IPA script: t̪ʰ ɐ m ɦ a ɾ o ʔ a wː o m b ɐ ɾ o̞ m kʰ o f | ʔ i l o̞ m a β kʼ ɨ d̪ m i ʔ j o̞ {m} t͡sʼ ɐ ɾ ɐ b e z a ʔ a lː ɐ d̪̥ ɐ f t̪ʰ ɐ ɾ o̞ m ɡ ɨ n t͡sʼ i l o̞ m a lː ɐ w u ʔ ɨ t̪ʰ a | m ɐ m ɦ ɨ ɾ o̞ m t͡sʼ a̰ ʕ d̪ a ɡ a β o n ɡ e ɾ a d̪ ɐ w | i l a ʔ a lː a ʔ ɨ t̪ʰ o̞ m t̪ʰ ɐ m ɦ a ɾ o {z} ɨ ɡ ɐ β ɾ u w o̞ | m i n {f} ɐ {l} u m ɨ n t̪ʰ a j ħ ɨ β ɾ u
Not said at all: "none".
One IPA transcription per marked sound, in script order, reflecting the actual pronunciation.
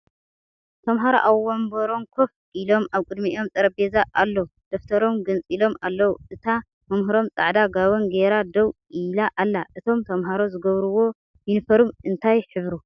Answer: m, z, f, ɾ

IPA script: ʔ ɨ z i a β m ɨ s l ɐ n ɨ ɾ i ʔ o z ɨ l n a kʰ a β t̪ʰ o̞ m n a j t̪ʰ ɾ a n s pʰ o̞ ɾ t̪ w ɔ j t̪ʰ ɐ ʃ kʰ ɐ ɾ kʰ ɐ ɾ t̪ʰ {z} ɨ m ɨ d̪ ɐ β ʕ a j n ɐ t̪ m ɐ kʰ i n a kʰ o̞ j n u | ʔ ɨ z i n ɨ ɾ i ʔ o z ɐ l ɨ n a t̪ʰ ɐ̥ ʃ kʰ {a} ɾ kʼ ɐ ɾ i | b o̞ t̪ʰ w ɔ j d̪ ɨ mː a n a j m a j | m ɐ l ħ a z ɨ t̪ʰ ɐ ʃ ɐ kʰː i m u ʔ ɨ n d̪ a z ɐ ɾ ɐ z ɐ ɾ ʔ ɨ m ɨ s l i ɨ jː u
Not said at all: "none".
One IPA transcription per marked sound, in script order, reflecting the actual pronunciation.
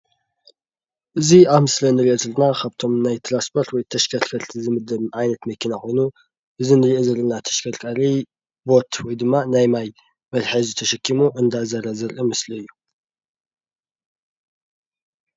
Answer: z, ɐ

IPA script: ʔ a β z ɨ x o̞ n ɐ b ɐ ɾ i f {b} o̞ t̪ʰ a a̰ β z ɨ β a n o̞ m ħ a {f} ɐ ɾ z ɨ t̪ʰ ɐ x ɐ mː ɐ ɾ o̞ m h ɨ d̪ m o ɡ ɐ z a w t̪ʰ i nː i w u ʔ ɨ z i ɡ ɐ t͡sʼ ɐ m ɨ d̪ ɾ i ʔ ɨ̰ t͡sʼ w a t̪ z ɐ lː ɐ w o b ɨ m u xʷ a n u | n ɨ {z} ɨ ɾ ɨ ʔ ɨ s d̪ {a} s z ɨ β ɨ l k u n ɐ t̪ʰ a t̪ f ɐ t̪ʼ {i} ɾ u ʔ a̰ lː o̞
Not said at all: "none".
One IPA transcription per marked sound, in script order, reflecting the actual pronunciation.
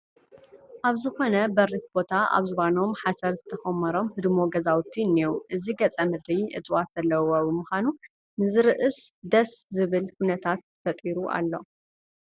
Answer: b, s, z, ɐ, i

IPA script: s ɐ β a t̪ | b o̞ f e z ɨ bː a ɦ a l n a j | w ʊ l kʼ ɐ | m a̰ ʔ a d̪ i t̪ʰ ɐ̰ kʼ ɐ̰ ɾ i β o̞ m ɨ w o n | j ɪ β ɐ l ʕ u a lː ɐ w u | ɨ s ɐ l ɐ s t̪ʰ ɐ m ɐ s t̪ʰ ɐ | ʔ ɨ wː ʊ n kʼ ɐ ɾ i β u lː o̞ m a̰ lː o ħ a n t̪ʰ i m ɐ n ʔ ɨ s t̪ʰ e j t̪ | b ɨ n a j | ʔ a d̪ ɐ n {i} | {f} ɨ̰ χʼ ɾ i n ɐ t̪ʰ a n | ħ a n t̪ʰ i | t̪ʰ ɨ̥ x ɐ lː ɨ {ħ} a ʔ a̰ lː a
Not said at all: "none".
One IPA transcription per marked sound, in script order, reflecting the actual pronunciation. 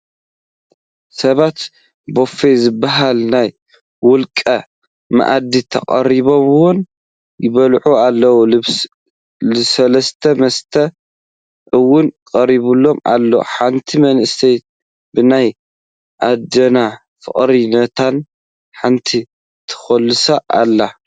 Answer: a, f, s

